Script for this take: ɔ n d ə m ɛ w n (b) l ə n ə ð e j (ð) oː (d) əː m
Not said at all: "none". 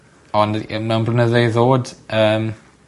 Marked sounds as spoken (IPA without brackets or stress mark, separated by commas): b, ð, d